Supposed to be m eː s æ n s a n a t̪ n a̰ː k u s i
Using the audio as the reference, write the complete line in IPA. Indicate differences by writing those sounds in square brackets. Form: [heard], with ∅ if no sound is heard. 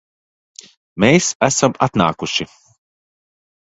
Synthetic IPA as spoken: m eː s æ [∅] s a [m] a t̪ n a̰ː k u [ʃ] i